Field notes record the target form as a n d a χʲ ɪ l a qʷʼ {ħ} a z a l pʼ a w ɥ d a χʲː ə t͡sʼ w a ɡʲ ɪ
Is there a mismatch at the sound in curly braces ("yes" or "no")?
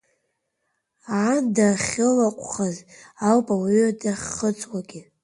yes